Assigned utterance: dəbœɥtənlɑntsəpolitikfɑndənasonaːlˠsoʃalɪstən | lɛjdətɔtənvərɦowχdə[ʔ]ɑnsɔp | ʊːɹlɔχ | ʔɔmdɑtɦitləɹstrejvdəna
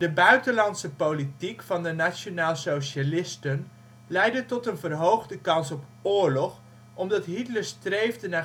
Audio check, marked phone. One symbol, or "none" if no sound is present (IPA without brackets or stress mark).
k